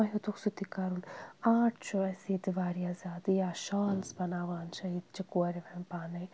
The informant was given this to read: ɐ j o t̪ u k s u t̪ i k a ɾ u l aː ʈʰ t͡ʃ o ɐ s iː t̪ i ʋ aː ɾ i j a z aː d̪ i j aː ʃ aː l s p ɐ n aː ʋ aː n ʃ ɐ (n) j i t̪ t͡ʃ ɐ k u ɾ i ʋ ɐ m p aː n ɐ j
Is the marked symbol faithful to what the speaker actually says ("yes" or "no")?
no